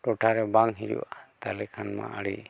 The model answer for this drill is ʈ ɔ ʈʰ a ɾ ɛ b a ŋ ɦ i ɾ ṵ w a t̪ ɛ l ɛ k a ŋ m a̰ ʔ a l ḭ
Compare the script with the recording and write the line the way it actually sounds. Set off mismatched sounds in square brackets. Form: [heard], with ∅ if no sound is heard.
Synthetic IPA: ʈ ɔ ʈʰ a ɾ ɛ b a ŋ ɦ i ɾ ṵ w a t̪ [a] l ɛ [kʰ] a [n] m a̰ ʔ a [ɽ] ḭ

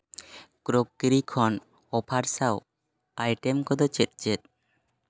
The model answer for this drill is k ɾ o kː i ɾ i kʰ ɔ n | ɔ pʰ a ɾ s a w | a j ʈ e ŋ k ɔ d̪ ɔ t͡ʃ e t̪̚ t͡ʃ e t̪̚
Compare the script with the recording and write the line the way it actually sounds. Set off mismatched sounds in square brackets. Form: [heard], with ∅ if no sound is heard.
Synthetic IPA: k ɾ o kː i ɾ i kʰ ɔ n | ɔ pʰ a ɾ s a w | a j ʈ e [m] k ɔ d̪ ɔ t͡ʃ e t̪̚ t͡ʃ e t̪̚

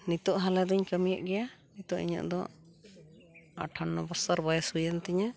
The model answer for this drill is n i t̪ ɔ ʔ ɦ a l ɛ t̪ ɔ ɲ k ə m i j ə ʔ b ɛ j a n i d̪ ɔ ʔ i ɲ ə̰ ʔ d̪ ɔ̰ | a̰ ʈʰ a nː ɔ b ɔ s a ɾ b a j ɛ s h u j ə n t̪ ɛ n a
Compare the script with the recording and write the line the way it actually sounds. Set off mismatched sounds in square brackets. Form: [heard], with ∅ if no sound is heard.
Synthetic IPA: n i t̪ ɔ ʔ ɦ a l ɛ [d̪] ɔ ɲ k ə m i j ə ʔ [ɡ] ɛ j a n i [t̪] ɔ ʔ i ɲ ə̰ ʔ d̪ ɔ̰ | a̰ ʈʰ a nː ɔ b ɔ s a ɾ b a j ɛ s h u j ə n t̪ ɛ [ɲ] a

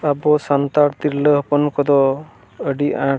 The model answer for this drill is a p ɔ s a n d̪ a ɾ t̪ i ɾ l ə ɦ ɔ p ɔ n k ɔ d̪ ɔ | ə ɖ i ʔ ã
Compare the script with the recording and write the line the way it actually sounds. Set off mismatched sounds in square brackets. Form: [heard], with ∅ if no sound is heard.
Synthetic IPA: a [b] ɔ s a n [t̪] a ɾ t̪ i ɾ l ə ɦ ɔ p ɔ n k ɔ d̪ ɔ | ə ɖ i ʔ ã

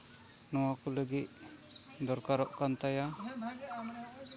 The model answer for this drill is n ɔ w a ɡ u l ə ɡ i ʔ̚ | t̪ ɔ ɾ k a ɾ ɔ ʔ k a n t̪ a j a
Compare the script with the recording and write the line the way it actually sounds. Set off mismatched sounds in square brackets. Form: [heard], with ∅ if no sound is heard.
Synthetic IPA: n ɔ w a [k] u l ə ɡ i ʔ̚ | [d̪] ɔ ɾ k a ɾ ɔ ʔ k a n t̪ a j a

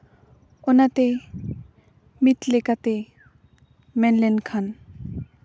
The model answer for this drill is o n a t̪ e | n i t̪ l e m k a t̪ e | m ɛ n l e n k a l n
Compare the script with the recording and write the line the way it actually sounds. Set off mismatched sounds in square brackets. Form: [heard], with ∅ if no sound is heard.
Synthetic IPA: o n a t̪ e | [m] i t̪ l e [∅] k a t̪ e | m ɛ n l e n [kʰ] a [∅] n

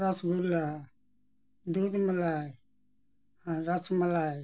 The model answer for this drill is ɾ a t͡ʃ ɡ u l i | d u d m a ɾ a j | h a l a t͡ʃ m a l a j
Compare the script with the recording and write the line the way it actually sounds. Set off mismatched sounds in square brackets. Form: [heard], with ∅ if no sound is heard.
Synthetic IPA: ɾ a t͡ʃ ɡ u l [a] | d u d m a [l] a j | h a [ɾ] a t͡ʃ m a l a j

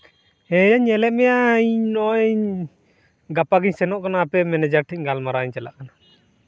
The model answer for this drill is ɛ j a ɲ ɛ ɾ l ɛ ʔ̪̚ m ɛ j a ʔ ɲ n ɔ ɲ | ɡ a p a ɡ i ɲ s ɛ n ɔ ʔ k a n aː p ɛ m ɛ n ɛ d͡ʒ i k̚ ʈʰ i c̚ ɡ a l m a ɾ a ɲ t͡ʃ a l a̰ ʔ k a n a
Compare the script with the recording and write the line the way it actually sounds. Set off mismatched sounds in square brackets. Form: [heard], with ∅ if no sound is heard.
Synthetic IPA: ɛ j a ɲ ɛ [∅] l ɛ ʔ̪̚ m ɛ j a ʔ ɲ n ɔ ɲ | ɡ a p a ɡ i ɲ s ɛ n ɔ ʔ k a n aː p ɛ m ɛ n ɛ d͡ʒ [a] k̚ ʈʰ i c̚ ɡ a l m a ɾ a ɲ t͡ʃ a l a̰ ʔ k a n a

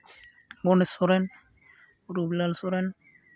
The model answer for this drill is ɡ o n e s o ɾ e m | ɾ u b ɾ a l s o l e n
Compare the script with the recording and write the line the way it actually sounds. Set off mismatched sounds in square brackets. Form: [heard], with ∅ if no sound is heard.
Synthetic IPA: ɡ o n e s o ɾ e [n] | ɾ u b [l] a l s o [ɾ] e n

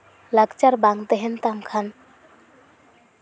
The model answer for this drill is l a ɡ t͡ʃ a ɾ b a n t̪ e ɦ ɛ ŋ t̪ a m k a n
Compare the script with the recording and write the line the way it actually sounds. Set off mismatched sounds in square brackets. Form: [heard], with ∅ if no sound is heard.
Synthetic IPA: l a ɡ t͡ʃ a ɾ b a [ŋ] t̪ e ɦ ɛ [n] t̪ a m [kʰ] a n

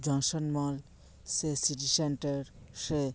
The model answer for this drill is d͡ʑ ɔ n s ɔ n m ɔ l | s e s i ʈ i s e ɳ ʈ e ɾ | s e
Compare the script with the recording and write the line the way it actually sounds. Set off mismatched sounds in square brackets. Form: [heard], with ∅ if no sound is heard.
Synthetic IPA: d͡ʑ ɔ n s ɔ n m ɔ l | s e s i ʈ i s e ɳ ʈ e ɾ | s e

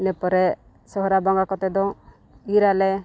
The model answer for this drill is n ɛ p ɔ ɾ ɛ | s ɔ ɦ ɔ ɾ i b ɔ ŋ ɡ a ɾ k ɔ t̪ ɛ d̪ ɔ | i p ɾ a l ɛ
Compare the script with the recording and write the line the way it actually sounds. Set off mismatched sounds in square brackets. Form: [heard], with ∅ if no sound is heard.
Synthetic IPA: n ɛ p ɔ ɾ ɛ | s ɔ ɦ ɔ ɾ [a] b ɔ ŋ ɡ a [∅] k ɔ t̪ ɛ d̪ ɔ | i [∅] ɾ a l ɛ

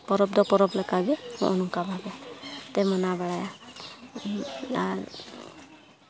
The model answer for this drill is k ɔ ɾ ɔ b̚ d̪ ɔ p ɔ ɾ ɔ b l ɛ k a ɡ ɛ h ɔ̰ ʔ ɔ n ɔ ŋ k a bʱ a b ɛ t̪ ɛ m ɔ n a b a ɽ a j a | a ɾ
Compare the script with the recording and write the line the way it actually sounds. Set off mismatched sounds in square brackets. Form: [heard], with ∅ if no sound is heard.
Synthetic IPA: [p] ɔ ɾ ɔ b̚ d̪ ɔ p ɔ ɾ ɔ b l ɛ k a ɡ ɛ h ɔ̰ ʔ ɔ n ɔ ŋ k a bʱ a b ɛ t̪ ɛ m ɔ n a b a ɽ a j a | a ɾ

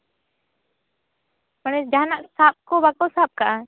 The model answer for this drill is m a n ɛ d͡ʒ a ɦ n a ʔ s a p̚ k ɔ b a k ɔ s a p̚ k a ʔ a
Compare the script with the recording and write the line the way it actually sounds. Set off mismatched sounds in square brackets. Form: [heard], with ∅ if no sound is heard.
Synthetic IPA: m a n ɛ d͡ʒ a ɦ n a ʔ s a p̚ k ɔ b a k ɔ s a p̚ k a ʔ a

